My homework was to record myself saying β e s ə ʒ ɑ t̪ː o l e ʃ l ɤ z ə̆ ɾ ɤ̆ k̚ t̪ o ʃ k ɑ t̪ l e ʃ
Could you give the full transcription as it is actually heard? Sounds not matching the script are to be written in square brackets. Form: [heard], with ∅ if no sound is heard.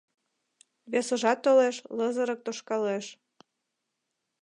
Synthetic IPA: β e s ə ʒ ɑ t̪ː o l e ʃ l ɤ z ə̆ ɾ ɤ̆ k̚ t̪ o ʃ k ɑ [∅] l e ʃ